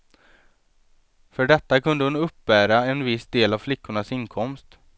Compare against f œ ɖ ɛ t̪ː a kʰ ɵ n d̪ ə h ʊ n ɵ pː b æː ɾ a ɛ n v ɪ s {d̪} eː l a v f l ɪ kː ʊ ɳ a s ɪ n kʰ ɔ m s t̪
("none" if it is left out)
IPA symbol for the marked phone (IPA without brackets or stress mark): d̪